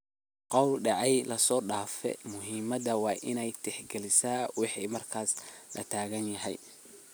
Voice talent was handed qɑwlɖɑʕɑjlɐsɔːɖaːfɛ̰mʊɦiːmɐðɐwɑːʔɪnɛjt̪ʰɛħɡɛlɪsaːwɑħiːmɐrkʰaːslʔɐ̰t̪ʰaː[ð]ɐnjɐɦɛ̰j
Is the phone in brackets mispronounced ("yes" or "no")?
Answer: yes